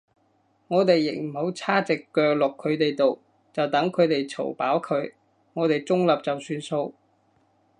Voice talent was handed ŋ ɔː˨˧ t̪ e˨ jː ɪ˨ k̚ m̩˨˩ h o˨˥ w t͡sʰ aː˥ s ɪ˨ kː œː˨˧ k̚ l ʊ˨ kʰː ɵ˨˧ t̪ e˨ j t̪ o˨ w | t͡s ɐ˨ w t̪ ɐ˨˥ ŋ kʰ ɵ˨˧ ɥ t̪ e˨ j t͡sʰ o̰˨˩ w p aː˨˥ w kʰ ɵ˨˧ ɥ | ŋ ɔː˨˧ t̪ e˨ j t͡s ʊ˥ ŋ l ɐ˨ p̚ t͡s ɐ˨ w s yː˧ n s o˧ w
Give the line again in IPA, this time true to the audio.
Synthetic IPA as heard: ŋ ɔː˨˧ t̪ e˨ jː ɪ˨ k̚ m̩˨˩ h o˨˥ w t͡sʰ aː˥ t͡s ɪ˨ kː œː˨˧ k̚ l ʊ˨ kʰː ɵ˨˧ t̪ e˨ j t̪ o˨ w | t͡s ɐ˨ w t̪ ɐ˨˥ ŋ kʰ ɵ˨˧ ɥ t̪ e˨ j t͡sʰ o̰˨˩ w p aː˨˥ w kʰ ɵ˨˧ ɥ | ŋ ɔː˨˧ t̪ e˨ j t͡s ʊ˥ ŋ l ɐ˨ p̚ t͡s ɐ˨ w s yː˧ n s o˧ w